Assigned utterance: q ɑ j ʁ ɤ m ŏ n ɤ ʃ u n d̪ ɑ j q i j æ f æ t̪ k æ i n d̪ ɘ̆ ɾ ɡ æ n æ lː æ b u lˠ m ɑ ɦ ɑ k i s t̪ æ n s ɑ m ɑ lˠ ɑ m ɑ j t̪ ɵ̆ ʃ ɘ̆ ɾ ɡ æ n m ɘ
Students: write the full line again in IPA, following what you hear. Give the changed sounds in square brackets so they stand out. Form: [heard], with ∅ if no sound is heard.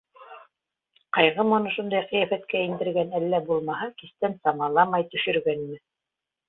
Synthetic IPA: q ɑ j ʁ ɤ m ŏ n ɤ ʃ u n d̪ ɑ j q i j æ f æ t̪ k æ i n d̪ ɘ̆ ɾ ɡ æ n æ lː æ b u lˠ m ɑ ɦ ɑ k i s t̪ æ n s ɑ m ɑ lˠ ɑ m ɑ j t̪ ɵ̆ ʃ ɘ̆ ɾ ɡ æ n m ɘ